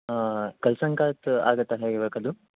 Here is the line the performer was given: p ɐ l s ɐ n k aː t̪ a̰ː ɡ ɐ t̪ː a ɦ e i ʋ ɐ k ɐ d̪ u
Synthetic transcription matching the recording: k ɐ l s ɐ ŋ k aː t̪ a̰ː ɡ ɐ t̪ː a ɦ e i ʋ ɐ k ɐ d̪ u